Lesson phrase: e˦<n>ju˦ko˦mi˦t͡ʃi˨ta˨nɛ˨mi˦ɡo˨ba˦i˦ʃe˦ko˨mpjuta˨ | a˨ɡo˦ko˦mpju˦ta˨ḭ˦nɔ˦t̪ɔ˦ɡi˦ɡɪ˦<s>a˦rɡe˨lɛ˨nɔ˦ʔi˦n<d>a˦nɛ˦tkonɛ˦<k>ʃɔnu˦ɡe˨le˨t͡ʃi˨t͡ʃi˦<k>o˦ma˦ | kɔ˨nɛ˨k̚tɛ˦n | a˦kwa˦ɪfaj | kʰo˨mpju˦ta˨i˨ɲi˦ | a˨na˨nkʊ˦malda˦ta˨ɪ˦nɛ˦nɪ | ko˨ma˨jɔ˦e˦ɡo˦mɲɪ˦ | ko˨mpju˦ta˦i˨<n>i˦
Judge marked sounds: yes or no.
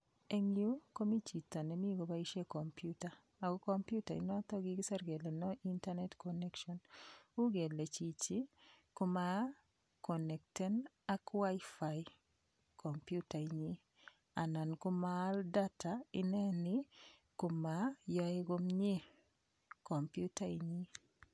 no, yes, no, yes, yes, no

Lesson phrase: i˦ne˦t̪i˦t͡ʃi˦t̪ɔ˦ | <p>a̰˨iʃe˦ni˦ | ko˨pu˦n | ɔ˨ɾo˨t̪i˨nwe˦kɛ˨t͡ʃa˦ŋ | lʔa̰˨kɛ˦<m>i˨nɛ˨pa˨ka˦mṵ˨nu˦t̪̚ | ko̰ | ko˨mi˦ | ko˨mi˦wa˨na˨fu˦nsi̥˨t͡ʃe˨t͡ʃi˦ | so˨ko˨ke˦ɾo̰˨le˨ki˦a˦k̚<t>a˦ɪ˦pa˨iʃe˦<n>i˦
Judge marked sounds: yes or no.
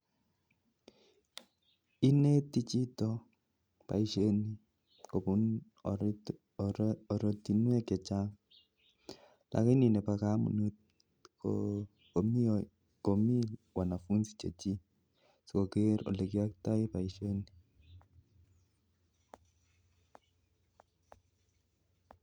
yes, no, yes, yes

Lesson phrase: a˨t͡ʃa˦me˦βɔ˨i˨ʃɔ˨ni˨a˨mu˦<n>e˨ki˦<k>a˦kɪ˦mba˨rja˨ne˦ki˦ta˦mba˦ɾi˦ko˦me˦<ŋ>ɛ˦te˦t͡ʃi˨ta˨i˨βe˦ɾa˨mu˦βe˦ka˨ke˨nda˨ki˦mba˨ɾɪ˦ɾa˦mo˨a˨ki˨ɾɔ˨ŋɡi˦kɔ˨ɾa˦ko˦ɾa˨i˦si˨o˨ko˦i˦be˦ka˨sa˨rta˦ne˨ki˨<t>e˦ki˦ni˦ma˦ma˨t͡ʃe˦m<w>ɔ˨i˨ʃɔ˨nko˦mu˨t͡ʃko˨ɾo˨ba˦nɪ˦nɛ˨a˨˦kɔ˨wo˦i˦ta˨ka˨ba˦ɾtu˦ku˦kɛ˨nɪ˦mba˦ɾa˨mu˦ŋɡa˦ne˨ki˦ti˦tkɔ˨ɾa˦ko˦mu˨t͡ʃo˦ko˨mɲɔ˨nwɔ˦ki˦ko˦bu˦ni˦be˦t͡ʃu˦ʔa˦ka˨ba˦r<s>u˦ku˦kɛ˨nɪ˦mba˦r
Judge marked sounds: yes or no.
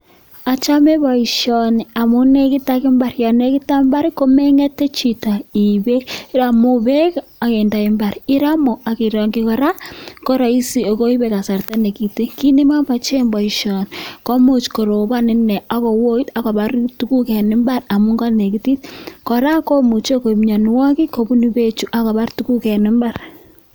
yes, no, yes, yes, no, no

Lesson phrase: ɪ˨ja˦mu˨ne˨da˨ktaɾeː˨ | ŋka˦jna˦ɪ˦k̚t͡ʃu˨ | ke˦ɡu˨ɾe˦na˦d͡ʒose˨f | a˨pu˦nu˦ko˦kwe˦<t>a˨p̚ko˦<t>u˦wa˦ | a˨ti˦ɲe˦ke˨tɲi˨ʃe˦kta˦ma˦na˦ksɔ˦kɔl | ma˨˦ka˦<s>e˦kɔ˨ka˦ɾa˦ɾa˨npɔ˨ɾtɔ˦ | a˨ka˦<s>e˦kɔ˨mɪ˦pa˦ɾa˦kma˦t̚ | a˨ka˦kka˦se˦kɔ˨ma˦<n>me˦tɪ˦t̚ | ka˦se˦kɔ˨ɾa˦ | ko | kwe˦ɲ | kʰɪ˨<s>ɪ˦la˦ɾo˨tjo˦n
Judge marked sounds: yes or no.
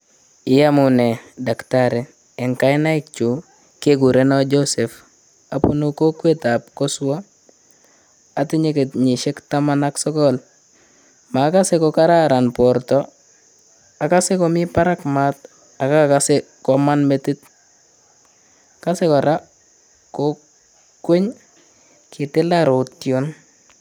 yes, no, yes, yes, yes, no

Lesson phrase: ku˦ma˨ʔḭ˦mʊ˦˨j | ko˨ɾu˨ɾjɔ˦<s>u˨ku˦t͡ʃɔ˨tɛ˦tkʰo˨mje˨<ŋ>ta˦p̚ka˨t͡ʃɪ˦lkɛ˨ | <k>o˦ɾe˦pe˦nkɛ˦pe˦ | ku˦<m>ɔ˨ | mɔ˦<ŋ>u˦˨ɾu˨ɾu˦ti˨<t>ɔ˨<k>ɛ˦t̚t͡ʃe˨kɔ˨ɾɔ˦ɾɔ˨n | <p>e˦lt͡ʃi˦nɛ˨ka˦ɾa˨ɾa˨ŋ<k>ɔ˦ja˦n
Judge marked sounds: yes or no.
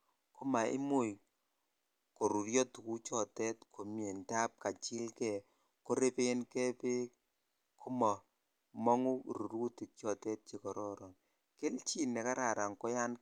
no, no, yes, yes, yes, no, no, no, yes

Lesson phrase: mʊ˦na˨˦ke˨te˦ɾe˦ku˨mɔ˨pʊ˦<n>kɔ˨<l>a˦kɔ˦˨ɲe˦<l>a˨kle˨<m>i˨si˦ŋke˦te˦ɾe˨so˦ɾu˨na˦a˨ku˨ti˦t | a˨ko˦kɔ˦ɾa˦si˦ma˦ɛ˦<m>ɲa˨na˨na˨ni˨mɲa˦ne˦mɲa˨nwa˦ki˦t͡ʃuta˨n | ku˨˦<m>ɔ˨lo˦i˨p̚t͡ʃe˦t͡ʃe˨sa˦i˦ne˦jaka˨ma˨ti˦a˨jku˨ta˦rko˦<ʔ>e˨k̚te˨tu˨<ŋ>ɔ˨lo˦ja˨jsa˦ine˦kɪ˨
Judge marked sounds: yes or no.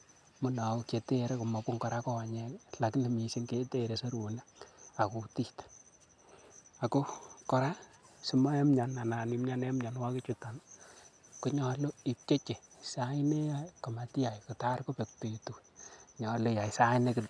no, no, yes, yes, yes, no, no, no

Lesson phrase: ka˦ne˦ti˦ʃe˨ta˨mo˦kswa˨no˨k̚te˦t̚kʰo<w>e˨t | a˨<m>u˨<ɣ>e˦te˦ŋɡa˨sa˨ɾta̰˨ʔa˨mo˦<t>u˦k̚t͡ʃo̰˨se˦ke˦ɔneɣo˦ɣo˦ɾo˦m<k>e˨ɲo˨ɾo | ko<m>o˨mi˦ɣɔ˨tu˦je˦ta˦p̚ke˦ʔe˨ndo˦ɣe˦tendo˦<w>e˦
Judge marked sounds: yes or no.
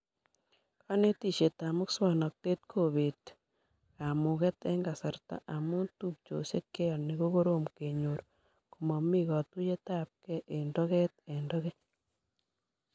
no, yes, yes, yes, yes, yes, no

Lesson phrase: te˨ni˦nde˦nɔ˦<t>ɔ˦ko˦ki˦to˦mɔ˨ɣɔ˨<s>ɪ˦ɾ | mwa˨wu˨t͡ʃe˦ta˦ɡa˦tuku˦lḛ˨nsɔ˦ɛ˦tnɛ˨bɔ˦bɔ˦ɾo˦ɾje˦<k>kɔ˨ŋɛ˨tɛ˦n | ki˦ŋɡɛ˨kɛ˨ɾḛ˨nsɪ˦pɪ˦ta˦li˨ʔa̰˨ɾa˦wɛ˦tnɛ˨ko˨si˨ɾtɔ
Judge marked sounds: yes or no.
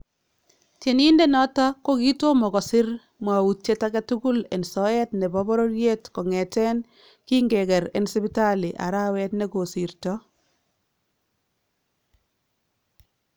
yes, yes, no

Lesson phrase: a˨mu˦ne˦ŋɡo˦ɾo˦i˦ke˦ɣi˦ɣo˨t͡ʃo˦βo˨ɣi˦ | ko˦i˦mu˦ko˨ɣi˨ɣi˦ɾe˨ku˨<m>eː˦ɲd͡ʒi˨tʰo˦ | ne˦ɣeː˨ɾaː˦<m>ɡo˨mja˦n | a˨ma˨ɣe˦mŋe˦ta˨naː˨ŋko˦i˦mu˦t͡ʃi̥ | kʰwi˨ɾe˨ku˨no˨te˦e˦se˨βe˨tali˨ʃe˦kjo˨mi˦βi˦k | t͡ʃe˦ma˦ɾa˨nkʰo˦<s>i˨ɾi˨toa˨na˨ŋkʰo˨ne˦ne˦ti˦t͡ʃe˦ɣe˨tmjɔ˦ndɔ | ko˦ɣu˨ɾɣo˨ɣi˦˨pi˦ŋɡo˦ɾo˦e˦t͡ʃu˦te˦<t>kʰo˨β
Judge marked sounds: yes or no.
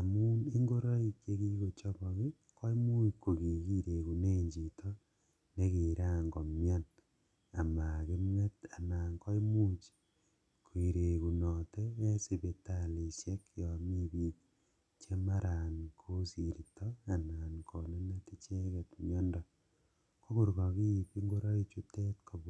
no, no, yes, yes

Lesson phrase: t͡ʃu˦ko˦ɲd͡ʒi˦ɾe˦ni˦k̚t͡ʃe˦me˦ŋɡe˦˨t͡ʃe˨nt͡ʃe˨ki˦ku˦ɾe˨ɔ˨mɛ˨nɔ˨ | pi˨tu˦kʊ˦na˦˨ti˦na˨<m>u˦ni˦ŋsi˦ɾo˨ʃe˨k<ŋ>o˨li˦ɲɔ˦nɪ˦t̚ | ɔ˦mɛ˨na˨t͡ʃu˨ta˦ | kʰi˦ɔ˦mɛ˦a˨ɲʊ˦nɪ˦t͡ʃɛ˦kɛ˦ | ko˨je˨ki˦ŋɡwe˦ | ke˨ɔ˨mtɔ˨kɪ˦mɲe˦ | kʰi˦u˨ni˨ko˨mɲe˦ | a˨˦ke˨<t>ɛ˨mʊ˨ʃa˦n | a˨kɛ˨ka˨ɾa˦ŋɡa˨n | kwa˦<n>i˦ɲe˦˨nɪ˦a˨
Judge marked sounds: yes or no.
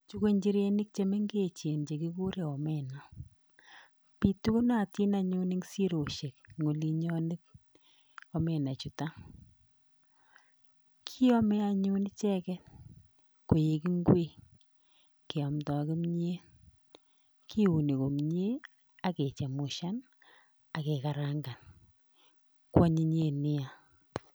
no, yes, no, no

